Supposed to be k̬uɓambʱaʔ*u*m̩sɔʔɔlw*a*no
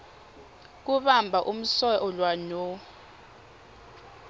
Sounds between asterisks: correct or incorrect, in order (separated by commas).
correct, correct